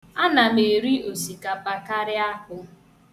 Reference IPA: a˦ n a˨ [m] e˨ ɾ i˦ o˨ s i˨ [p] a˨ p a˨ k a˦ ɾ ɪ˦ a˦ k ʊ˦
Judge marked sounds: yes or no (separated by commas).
yes, no